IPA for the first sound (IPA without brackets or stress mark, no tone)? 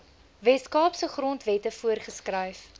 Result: v